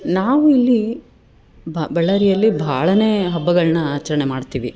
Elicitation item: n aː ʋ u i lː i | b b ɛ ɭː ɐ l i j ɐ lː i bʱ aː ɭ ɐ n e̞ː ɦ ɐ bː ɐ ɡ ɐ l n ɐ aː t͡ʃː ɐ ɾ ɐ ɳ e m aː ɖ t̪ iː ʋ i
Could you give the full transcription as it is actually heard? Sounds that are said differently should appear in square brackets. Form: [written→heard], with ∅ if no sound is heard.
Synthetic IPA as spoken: n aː ʋ u i lː i | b b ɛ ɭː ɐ [l→ɾ] i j ɐ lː i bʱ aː ɭ ɐ n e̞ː ɦ ɐ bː ɐ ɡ ɐ [l→ɭ] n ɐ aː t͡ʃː ɐ ɾ ɐ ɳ e m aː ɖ t̪ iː ʋ i